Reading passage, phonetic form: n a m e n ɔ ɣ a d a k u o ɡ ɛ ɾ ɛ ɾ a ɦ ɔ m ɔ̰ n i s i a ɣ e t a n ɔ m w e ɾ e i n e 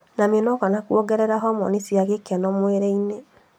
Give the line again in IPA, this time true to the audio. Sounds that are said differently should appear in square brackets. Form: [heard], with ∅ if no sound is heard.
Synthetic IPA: n a m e n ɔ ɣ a [n] a k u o ɡ ɛ ɾ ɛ ɾ a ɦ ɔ m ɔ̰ n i s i a ɣ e [k] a n ɔ m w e ɾ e i n e